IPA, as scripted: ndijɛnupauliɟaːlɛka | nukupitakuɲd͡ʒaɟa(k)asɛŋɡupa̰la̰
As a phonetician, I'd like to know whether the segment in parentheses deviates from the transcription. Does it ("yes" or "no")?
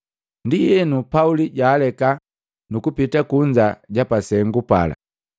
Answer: yes